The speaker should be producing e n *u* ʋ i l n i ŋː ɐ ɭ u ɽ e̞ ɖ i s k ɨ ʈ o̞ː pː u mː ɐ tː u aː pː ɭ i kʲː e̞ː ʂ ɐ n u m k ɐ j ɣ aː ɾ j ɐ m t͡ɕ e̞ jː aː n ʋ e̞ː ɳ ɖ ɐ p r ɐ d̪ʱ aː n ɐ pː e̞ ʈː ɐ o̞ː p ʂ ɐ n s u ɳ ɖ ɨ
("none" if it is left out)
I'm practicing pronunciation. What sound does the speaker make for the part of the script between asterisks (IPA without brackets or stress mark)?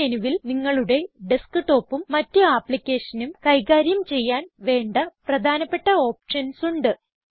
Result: u